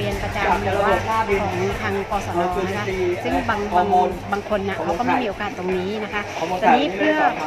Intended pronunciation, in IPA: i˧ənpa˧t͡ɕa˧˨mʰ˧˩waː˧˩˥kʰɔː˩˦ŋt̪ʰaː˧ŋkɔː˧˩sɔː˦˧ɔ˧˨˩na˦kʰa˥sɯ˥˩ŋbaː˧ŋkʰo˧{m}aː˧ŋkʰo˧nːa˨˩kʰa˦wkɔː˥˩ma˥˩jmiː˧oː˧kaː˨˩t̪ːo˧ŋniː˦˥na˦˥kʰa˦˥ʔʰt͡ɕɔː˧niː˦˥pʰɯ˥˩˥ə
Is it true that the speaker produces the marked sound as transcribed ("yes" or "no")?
no